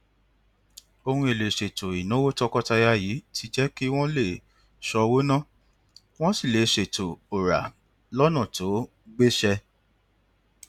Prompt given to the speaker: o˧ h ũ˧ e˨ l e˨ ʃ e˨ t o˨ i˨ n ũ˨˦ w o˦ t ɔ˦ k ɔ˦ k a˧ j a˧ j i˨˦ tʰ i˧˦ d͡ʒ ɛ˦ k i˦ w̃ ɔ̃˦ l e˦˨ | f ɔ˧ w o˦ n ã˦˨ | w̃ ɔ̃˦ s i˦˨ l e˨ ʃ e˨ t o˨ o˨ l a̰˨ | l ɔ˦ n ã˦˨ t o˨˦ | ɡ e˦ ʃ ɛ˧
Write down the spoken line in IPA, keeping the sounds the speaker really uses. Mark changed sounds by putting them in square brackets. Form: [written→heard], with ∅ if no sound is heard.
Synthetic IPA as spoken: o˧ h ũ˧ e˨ l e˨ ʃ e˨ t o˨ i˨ n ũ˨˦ w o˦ t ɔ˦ k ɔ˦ [k→t] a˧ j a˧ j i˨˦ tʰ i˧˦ d͡ʒ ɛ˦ k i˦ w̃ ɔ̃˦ l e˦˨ | [f→ʃ] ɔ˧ w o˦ n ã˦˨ | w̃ ɔ̃˦ s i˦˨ l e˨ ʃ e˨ t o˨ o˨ [l→ɾ] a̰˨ | l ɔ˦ n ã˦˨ t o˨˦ | [ɡ→ɡ͡b] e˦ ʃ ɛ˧

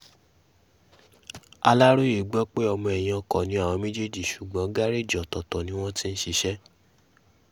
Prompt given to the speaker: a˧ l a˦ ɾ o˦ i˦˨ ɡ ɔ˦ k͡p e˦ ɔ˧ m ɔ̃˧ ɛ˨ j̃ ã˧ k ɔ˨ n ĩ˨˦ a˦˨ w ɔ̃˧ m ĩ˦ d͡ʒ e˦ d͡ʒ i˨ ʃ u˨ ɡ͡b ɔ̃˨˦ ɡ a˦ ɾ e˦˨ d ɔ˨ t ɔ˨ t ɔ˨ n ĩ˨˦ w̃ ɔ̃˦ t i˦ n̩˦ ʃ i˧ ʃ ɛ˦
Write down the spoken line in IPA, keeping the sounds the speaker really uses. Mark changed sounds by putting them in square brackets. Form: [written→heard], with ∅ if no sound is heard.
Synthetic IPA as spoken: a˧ l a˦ ɾ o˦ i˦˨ [ɡ→ɡ͡b] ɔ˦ k͡p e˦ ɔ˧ m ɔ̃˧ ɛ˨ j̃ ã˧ k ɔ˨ n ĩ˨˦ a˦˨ w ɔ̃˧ m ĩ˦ d͡ʒ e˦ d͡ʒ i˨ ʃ u˨ ɡ͡b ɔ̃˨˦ ɡ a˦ ɾ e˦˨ [d→d͡ʒ] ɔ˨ t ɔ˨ t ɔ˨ n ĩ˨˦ w̃ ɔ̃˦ t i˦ n̩˦ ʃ i˧ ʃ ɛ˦

